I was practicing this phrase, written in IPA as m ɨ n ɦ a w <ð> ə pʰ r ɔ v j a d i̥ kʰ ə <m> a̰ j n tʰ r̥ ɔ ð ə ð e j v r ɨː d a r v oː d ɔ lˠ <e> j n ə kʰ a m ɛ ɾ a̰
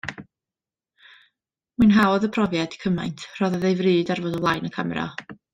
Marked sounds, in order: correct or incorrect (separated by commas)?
correct, correct, incorrect